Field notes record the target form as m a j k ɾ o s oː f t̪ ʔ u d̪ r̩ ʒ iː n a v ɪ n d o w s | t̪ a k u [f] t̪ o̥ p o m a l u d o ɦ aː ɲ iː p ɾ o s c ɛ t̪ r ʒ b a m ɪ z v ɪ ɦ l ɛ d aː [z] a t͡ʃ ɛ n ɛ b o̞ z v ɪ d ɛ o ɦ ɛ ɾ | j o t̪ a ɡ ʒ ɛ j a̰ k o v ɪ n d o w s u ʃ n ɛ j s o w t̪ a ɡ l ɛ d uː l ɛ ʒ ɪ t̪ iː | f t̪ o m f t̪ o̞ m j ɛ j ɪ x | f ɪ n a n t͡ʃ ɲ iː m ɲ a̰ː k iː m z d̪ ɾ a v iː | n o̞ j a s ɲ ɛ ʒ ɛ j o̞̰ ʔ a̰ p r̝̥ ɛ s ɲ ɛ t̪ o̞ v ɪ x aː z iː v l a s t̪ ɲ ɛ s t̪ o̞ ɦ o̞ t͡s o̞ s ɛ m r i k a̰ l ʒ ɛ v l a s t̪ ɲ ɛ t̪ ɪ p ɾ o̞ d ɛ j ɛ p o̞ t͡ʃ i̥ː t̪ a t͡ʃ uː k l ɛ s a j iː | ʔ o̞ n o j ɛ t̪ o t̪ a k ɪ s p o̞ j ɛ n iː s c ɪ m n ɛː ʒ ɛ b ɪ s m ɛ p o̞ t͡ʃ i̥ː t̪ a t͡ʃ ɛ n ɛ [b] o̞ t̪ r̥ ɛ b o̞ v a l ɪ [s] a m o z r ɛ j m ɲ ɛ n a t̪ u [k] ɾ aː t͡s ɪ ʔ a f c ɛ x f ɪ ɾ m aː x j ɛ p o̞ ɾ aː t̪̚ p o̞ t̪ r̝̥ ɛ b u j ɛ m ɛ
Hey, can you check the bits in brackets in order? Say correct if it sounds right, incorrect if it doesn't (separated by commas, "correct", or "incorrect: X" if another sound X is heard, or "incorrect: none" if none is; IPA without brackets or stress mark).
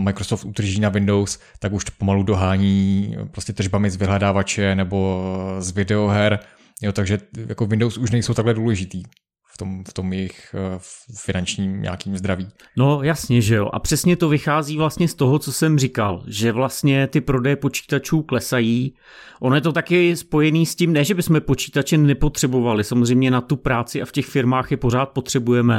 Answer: incorrect: ʃ, incorrect: v, incorrect: p, correct, incorrect: p